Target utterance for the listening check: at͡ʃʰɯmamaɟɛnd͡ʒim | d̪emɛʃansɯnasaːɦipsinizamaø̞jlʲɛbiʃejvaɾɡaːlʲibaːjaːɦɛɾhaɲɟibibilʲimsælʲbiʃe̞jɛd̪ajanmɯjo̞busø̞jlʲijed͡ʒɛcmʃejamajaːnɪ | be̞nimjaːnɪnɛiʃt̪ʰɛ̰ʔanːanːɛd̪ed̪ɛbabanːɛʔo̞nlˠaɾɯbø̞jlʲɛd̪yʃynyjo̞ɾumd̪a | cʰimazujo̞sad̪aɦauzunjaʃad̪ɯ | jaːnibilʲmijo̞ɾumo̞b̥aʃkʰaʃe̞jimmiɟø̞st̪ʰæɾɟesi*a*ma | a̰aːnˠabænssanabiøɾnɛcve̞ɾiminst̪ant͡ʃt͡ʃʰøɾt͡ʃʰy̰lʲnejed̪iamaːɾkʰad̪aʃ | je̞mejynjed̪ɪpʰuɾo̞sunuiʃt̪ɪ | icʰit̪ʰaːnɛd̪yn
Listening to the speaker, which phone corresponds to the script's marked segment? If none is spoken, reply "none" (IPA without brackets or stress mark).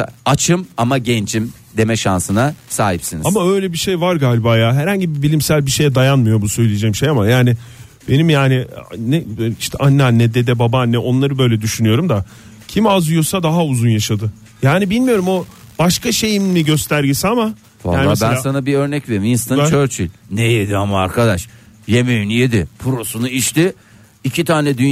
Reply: a